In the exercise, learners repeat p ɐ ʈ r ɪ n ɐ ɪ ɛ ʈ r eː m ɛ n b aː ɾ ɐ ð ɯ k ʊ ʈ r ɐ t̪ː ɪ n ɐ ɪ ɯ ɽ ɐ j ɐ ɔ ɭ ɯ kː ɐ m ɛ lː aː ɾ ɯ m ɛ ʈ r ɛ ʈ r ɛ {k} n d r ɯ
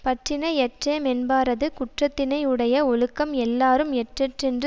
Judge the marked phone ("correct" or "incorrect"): incorrect